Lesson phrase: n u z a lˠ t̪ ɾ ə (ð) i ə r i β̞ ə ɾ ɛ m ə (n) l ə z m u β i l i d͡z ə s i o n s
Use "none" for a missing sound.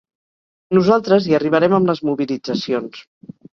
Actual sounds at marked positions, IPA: z, m

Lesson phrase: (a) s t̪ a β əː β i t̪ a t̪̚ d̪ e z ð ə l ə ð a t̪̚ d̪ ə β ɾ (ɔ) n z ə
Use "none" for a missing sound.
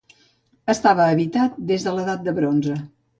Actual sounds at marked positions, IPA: ə, o

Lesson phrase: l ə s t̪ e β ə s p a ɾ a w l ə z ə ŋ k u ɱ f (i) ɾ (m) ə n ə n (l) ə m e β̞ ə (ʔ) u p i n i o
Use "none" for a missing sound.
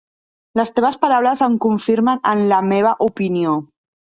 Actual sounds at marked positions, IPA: i, m, l, ʔ

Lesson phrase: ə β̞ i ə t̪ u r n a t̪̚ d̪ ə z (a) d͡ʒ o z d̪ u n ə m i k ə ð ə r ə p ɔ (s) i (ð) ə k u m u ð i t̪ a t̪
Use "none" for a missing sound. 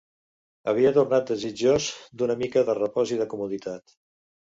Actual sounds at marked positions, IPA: i, z, ð

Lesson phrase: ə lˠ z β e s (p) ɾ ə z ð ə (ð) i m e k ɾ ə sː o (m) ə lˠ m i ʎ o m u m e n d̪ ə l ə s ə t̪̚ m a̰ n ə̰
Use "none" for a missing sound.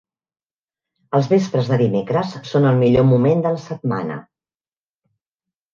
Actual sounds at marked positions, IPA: p, ð, n

